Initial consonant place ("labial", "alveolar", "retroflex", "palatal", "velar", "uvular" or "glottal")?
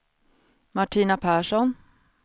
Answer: labial